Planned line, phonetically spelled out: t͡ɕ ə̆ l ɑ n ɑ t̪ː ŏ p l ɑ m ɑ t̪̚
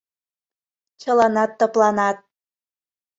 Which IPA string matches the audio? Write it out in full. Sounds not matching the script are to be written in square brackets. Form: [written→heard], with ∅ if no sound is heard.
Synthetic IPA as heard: t͡ɕ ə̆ l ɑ n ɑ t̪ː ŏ p l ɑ [m→n] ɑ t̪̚